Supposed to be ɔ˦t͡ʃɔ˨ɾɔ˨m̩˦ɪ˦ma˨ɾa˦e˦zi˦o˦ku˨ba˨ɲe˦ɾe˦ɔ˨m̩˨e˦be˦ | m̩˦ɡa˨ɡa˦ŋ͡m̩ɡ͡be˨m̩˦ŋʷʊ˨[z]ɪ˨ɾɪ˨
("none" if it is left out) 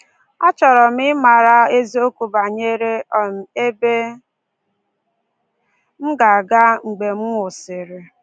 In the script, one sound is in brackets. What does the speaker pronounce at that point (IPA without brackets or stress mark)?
s